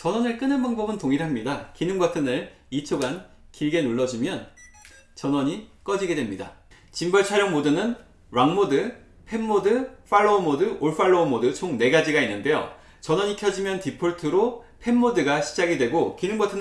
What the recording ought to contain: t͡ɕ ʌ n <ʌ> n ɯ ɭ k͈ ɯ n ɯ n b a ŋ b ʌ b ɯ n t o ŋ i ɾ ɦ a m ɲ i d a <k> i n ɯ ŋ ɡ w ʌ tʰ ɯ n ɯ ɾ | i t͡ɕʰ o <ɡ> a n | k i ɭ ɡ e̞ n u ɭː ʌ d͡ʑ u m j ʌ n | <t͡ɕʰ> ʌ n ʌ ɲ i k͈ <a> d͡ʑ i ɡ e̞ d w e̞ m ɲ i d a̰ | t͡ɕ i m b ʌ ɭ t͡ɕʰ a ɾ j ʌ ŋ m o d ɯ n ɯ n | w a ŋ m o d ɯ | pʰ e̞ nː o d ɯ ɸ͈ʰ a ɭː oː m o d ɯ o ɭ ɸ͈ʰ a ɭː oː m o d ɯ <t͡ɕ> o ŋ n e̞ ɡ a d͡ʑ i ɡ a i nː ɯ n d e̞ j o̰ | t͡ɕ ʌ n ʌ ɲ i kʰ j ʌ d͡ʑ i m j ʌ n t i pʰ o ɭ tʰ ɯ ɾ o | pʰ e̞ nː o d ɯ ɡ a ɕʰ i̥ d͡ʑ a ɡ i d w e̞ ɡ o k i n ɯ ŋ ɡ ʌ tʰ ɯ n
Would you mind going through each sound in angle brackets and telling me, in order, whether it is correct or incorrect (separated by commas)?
correct, correct, correct, incorrect, incorrect, incorrect